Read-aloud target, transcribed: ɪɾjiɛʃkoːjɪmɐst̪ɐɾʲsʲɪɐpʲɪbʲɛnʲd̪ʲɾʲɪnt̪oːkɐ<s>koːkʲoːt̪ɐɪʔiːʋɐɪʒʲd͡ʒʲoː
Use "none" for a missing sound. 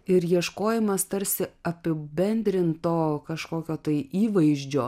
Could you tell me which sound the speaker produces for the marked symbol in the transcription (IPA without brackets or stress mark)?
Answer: ʃ